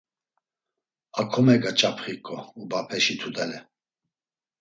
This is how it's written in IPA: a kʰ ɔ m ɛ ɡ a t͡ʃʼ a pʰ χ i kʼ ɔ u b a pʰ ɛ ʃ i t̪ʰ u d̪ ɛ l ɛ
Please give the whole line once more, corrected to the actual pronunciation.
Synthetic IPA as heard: a kʰ ɔ m ɛ ɡ a t͡ʃʼ a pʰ χ i kʼ ɔ u b a pʰ ɛ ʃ i t̪ʰ u d̪ ɛ l ɛ